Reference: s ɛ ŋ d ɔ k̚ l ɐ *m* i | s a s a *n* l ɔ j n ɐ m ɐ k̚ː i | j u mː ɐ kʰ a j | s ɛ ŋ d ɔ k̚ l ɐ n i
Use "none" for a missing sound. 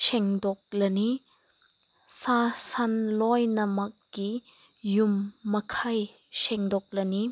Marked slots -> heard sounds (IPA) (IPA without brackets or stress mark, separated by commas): n, n